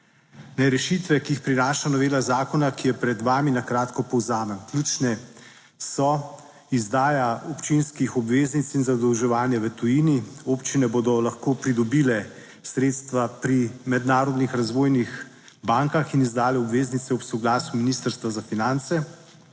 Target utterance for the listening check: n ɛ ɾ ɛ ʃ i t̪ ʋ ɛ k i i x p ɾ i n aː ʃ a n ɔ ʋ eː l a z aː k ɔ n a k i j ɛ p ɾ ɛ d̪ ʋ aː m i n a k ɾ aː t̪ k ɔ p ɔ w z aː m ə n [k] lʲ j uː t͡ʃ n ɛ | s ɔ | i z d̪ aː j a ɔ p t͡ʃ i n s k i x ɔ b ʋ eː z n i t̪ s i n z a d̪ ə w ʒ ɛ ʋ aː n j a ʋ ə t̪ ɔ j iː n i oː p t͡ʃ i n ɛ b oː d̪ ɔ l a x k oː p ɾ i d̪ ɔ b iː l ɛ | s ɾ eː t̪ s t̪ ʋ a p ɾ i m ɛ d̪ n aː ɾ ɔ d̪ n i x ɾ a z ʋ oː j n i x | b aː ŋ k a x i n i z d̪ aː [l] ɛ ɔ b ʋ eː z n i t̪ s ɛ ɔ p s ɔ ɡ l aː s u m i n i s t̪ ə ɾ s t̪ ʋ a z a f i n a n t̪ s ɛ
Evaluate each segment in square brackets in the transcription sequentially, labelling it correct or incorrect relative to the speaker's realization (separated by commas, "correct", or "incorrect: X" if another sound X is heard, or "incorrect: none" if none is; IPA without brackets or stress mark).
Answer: correct, correct